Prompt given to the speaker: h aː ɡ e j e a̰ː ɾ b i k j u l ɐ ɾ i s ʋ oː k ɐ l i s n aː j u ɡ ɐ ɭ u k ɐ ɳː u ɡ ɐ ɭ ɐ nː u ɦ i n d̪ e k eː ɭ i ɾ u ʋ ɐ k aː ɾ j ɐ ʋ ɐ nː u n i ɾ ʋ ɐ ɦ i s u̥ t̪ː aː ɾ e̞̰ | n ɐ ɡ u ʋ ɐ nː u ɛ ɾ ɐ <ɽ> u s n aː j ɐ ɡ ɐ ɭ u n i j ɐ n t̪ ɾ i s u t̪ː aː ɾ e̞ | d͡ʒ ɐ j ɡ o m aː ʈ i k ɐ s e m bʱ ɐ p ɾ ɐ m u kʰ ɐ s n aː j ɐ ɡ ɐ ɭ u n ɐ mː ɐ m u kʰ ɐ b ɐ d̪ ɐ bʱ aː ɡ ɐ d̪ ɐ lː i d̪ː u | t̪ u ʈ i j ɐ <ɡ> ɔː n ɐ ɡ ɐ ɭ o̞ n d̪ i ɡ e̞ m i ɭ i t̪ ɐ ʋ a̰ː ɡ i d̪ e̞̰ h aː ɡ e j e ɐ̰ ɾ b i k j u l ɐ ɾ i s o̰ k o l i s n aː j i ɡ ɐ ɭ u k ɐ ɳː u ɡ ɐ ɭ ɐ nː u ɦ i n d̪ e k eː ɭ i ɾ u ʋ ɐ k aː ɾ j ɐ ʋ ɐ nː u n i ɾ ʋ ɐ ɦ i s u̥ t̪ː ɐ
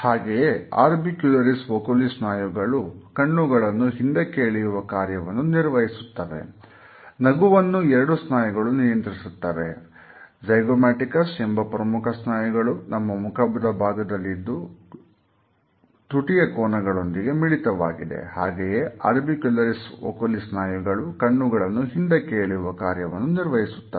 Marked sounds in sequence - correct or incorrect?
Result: correct, incorrect: k

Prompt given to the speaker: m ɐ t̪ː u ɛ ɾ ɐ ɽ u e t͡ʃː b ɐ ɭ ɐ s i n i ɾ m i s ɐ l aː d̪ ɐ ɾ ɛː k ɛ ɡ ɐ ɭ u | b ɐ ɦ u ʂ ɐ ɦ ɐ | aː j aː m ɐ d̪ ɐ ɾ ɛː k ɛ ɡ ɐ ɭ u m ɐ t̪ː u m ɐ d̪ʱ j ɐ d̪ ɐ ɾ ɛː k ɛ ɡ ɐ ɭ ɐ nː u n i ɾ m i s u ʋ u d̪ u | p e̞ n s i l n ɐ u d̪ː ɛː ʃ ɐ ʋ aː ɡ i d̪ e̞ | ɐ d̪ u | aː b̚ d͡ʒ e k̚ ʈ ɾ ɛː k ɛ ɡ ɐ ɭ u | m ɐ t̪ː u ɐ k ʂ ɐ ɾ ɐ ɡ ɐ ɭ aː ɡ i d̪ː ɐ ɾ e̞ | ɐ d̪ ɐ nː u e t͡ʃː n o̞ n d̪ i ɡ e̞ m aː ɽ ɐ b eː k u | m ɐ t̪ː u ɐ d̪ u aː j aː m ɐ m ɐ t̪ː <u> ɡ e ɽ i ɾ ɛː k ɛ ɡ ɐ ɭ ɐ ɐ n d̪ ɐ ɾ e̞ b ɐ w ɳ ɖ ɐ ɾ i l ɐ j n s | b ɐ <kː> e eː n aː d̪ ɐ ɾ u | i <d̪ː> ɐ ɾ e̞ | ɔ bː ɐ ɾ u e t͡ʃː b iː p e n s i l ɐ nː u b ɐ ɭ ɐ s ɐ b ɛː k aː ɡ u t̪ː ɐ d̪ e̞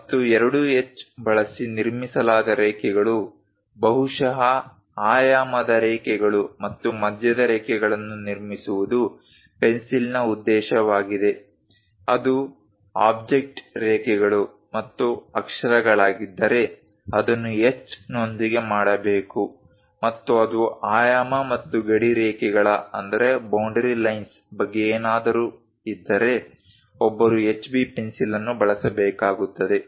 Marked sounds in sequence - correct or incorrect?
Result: correct, incorrect: ɡː, correct

